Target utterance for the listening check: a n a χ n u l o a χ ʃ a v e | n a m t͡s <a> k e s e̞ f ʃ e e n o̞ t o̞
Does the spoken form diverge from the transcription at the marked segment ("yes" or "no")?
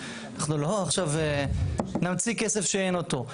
yes